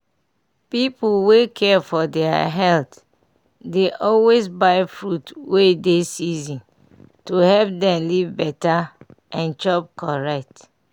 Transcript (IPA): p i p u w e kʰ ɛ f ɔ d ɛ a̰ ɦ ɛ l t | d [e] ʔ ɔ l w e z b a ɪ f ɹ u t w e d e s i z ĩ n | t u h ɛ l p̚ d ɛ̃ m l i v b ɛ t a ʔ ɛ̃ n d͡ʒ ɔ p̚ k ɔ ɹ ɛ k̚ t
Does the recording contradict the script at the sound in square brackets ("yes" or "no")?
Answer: no